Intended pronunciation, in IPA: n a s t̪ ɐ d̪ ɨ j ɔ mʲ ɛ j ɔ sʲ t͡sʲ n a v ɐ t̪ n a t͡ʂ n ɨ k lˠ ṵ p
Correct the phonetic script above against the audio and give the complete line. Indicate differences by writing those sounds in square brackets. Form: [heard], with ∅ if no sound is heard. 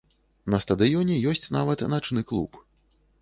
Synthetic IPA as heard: n [ɐ] s t̪ ɐ d̪ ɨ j ɔ [nʲ] ɛ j ɔ sʲ t͡sʲ n a v ɐ t̪ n a t͡ʂ n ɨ k lˠ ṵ p